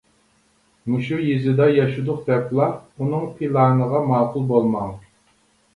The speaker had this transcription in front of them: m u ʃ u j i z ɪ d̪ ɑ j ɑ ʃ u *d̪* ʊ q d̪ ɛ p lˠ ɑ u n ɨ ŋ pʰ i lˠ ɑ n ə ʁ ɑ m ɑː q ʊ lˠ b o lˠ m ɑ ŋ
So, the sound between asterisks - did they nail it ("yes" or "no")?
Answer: yes